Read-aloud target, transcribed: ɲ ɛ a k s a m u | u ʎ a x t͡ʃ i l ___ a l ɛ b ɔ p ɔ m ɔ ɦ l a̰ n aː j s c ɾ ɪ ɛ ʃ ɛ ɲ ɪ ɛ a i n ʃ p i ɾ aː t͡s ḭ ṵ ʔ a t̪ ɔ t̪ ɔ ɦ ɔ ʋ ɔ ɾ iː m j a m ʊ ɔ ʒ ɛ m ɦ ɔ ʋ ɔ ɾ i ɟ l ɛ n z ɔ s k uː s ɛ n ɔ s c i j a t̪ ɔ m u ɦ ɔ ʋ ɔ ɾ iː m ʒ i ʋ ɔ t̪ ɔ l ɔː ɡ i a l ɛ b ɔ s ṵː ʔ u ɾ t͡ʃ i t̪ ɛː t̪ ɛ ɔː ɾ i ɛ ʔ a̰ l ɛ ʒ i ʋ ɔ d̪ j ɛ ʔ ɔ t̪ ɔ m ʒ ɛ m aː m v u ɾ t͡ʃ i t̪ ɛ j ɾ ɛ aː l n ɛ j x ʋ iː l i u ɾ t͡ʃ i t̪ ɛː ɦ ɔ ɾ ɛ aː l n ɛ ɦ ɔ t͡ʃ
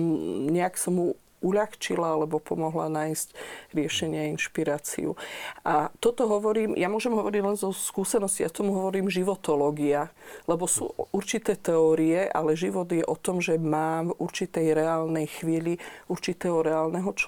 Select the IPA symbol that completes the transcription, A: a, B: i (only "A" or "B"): A